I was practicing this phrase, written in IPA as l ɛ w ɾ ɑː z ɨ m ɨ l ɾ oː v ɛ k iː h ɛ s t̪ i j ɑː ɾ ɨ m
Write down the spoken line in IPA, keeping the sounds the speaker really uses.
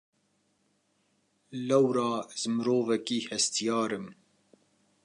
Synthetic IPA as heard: l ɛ w ɾ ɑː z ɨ m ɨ ɾ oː v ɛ k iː h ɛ s t̪ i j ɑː ɾ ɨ m